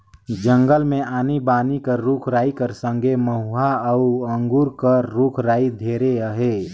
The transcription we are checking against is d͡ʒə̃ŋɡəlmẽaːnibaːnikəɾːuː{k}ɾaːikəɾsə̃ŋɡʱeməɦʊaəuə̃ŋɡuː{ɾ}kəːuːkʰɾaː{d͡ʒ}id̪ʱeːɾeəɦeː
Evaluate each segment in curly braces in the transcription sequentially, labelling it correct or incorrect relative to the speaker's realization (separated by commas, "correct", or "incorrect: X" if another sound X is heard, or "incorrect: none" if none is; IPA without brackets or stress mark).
incorrect: kʰ, correct, incorrect: none